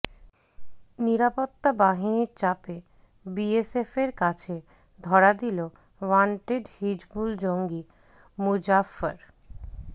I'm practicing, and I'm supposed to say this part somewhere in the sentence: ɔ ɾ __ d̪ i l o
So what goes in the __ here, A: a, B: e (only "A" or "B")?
A